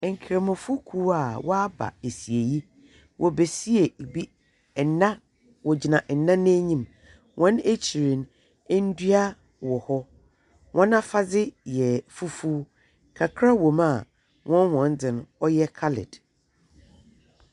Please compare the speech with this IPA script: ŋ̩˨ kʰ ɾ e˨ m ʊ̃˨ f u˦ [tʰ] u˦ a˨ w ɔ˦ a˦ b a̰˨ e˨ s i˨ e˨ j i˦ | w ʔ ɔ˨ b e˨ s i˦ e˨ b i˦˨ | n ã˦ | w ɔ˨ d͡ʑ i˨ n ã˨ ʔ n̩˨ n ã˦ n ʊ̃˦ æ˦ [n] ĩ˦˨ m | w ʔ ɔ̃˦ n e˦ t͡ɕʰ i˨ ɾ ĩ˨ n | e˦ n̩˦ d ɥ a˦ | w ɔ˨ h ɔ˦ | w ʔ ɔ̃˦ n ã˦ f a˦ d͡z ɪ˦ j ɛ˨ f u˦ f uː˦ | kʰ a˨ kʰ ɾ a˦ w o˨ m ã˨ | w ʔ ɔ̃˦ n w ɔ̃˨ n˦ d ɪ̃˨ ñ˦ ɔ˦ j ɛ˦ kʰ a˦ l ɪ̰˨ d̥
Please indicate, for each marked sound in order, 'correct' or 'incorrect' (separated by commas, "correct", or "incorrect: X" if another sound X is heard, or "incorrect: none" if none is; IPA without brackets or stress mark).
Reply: incorrect: kʰ, incorrect: ɲ